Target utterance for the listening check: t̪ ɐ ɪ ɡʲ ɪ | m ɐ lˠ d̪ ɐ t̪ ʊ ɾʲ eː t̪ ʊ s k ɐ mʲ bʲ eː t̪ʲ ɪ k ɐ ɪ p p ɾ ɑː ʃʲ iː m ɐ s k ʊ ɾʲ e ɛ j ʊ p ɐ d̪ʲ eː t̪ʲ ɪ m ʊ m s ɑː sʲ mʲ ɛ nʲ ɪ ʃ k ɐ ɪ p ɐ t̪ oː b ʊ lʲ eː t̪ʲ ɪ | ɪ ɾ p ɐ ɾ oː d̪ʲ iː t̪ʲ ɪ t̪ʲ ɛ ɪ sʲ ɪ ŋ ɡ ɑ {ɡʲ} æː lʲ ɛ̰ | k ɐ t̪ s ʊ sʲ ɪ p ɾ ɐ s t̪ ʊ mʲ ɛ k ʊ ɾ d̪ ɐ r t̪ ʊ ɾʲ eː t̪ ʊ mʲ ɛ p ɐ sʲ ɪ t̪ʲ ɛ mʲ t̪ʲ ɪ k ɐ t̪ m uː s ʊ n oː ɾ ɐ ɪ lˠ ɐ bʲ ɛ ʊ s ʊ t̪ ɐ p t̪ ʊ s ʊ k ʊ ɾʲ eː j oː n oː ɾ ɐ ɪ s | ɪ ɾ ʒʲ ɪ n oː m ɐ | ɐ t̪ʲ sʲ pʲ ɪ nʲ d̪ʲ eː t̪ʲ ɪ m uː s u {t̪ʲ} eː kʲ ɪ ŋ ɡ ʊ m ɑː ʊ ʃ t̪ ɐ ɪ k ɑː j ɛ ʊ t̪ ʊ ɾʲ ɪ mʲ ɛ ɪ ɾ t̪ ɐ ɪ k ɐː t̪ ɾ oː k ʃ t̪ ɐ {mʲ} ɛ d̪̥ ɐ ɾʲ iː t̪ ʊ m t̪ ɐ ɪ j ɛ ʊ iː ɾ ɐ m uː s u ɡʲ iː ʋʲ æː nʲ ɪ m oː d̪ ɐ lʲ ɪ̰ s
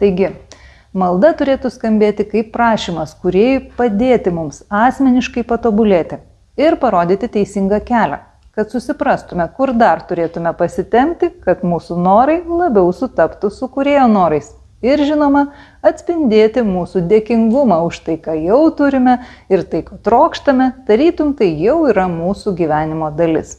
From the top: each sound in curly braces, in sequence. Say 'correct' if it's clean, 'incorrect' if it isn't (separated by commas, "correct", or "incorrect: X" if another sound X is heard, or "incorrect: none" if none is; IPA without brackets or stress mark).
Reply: incorrect: kʲ, incorrect: d̪ʲ, correct